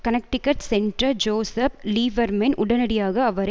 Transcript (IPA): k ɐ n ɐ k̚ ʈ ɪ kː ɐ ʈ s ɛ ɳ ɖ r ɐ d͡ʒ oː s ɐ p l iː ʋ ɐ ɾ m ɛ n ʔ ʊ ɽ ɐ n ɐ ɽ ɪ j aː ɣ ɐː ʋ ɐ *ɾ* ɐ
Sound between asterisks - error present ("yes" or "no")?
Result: no